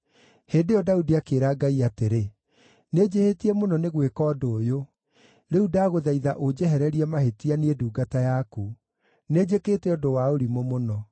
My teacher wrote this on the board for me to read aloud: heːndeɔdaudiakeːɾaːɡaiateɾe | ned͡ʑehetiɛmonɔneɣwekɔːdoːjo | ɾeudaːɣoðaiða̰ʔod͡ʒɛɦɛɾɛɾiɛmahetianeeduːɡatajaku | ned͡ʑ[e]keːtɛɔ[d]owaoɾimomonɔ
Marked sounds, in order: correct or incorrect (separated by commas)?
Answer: correct, correct